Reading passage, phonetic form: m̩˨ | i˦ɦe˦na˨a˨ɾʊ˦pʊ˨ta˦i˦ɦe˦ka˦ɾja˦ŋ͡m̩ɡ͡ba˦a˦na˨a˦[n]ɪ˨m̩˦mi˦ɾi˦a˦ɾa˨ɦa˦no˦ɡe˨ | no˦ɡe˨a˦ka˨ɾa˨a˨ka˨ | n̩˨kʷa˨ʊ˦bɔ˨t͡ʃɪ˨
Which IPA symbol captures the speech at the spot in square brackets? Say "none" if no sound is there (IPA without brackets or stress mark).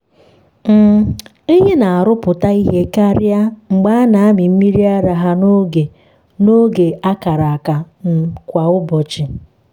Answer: m